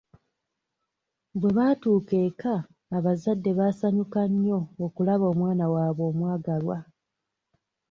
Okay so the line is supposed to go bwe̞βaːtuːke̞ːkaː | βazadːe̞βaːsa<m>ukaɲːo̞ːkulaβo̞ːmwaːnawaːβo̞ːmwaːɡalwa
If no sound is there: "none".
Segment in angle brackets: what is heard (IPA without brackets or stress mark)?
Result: ɲ